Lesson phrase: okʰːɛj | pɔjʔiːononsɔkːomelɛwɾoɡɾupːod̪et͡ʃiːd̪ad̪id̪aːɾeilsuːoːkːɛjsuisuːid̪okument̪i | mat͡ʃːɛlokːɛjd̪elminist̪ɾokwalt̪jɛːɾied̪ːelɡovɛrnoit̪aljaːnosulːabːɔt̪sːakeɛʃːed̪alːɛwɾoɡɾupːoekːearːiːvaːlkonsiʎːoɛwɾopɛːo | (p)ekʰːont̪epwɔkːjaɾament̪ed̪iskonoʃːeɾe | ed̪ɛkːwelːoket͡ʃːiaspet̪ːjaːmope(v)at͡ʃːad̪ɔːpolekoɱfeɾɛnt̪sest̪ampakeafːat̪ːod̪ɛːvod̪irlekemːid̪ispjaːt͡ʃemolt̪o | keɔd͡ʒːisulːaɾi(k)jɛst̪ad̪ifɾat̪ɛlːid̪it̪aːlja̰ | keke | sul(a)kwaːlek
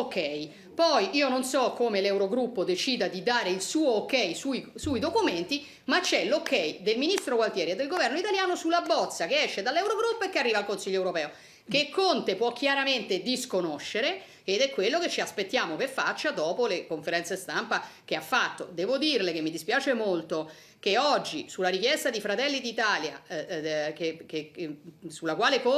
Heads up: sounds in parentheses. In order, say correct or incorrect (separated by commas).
incorrect, incorrect, correct, correct